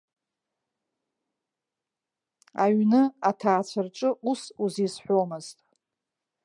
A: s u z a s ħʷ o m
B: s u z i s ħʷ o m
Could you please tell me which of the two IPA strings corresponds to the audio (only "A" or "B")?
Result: B